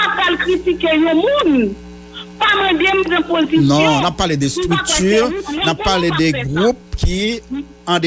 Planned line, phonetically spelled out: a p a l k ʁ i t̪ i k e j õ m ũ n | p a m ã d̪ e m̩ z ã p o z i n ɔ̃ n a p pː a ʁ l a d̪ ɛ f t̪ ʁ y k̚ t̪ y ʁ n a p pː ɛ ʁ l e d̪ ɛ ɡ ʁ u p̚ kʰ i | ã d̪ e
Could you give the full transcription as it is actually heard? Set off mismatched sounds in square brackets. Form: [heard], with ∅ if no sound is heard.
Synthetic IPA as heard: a p a l k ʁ i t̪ i k e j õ m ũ n | p a m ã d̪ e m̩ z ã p o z i n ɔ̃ n a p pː a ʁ l [e] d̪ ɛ [s] t̪ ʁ y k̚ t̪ y ʁ n a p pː [a] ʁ l e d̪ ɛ ɡ ʁ u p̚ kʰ i | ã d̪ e

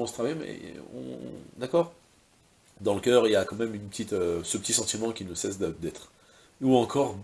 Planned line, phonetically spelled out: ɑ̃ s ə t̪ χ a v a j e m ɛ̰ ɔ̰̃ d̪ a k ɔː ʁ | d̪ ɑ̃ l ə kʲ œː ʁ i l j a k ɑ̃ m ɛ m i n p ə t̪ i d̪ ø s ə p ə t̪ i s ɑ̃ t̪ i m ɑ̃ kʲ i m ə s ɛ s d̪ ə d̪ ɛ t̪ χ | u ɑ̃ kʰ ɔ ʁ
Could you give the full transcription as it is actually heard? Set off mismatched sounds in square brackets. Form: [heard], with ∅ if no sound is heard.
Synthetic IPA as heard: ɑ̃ s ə t̪ χ a v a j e m ɛ̰ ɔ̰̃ d̪ a k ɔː ʁ | d̪ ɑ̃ l ə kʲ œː ʁ i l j a k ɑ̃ m ɛ m [y] n p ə t̪ i [t̪] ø s ə p ə t̪ i s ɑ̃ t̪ i m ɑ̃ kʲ i [n] ə s ɛ s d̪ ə d̪ ɛ t̪ χ | u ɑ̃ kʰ ɔ ʁ

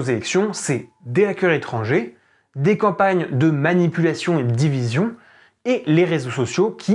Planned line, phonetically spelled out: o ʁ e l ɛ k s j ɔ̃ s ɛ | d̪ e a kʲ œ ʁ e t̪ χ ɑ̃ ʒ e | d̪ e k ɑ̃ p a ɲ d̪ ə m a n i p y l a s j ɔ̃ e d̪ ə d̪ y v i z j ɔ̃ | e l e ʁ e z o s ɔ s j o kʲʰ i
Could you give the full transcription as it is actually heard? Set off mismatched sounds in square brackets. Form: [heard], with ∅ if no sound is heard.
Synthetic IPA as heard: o [z] e l ɛ k s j ɔ̃ s ɛ | d̪ e a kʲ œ ʁ e t̪ χ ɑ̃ ʒ e | d̪ e k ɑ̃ p a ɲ d̪ ə m a n i p y l a s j ɔ̃ e d̪ ə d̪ [i] v i z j ɔ̃ | e l e ʁ e z o s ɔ s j o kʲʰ i

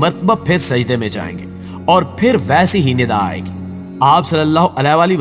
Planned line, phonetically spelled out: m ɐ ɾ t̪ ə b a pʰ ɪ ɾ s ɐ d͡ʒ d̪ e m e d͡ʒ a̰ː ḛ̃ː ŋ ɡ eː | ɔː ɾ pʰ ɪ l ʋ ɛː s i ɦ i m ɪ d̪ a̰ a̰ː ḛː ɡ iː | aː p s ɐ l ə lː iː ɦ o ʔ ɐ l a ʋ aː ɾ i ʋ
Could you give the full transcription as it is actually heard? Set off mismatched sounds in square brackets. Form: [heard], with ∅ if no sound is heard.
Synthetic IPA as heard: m ɐ ɾ t̪ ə b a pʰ ɪ ɾ s ɐ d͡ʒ d̪ e m [ẽ] d͡ʒ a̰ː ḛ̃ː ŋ ɡ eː | ɔː ɾ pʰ ɪ [ɾ] ʋ ɛː s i ɦ i [n] ɪ d̪ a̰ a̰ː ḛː ɡ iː | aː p s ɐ l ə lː [aː] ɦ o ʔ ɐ l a ʋ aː [l] i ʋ

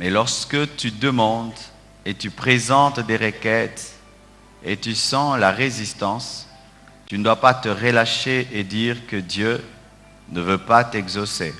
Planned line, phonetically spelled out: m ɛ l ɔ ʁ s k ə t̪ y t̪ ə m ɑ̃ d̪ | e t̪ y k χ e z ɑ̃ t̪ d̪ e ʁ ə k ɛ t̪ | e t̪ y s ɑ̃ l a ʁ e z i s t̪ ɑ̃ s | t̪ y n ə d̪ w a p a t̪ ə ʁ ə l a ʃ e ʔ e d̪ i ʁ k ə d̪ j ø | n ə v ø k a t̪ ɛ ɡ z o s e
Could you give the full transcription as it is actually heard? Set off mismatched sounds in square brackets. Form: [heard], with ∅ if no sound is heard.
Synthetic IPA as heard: m ɛ l ɔ ʁ s k ə t̪ y [d̪] ə m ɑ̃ d̪ | e t̪ y [p] χ e z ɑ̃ t̪ d̪ e ʁ ə k ɛ t̪ | e t̪ y s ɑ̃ l a ʁ e z i s t̪ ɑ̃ s | t̪ y n ə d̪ w a p a t̪ ə ʁ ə l a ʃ e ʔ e d̪ i ʁ k ə d̪ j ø | n ə v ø [p] a t̪ ɛ ɡ z o s e

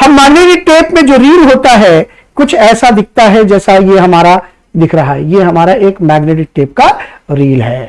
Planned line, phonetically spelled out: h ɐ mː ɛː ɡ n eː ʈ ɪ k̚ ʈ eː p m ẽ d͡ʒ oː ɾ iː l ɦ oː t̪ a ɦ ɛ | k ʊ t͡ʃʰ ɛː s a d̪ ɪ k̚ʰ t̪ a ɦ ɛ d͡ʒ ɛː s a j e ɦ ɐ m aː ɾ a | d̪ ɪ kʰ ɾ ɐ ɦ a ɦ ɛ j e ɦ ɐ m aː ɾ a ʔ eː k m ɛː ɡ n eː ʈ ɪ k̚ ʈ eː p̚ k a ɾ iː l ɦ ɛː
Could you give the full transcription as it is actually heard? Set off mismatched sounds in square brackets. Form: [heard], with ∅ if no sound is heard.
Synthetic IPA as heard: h ɐ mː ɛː ɡ n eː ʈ ɪ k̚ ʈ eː p m ẽ d͡ʒ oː ɾ iː l ɦ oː t̪ a ɦ ɛ | k ʊ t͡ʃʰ ɛː s a d̪ ɪ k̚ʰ t̪ a ɦ ɛ d͡ʒ ɛː s a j e ɦ ɐ m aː ɾ a | d̪ ɪ kʰ ɾ ɐ ɦ a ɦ ɛ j e ɦ ɐ m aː ɾ a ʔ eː k m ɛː ɡ n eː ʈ ɪ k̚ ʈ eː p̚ k a ɾ iː l ɦ ɛː

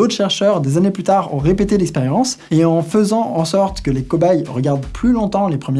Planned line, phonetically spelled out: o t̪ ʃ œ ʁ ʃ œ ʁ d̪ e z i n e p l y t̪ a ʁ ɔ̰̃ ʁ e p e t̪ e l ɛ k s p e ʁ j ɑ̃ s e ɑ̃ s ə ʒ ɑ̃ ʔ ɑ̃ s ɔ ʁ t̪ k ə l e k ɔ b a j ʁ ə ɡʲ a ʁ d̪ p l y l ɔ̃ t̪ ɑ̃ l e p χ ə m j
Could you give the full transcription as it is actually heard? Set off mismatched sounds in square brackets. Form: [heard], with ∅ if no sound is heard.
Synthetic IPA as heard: o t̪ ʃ [ɛ] ʁ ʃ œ ʁ d̪ e z [a] n e p l y t̪ a ʁ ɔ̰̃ ʁ e p e t̪ e l ɛ k s p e ʁ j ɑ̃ s e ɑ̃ [f] ə [z] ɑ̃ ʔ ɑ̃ s ɔ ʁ t̪ k ə l e k ɔ b a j ʁ ə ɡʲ a ʁ d̪ p l y l ɔ̃ t̪ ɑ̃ l e p χ ə m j

